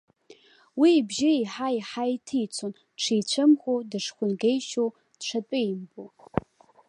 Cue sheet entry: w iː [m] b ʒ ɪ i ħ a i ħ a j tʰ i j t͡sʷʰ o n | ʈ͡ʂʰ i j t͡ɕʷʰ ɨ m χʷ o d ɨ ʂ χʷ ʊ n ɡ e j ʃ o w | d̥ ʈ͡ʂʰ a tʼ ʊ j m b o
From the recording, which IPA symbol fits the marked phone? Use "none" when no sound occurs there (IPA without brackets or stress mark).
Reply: none